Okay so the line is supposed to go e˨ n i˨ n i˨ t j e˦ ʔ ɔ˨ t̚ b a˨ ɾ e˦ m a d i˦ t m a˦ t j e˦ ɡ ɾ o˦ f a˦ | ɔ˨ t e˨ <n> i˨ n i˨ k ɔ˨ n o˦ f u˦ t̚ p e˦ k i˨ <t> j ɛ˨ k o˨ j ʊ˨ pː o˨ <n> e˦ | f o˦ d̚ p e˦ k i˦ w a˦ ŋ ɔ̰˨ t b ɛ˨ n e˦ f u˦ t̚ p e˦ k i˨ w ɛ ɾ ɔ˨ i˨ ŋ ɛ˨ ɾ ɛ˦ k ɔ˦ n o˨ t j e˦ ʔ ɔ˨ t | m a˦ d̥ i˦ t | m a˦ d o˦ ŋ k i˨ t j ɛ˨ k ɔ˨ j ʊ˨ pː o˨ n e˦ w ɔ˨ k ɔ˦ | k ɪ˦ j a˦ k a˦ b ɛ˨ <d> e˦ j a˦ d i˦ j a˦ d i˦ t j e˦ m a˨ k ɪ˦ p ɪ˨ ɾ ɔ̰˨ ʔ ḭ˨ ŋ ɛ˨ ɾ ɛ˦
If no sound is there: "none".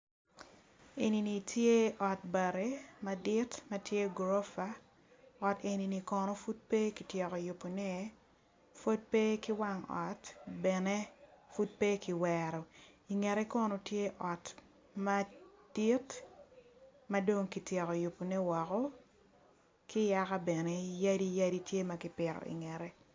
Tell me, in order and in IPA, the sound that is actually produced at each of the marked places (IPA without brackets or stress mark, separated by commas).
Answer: n, t, n, n